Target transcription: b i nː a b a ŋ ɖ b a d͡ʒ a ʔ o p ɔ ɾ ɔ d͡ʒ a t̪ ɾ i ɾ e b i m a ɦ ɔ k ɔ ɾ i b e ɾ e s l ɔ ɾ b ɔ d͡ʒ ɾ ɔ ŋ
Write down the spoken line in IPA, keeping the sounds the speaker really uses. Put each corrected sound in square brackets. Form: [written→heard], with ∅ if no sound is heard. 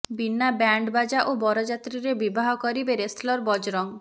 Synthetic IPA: b i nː a b a [ŋ→ɳ] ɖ b a d͡ʒ a ʔ o [p→b] ɔ ɾ ɔ d͡ʒ a t̪ ɾ i ɾ e b i [m→b] a ɦ ɔ k ɔ ɾ i b e ɾ e s l ɔ ɾ b ɔ d͡ʒ ɾ ɔ ŋ